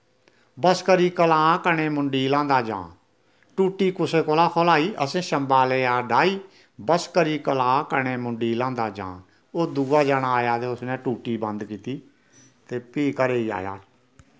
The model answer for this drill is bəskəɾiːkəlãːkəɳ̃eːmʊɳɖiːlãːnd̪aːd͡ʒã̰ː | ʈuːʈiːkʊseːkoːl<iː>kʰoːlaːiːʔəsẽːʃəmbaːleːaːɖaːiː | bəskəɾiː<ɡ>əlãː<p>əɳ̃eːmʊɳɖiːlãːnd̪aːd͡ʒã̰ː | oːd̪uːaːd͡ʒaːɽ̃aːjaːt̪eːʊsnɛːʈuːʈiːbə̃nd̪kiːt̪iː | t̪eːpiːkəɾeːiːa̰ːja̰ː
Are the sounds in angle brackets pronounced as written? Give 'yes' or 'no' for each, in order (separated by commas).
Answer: no, no, no